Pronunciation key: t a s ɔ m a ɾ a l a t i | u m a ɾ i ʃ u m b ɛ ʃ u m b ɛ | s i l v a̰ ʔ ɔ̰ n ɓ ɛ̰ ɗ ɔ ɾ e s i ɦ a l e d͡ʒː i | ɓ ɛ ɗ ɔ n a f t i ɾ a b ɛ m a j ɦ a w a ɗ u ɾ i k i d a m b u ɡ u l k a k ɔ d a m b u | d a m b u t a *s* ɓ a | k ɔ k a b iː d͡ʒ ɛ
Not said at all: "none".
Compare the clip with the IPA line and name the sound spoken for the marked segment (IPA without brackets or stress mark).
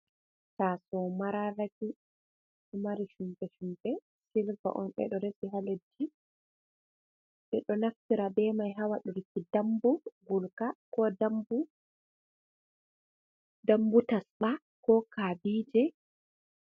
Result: s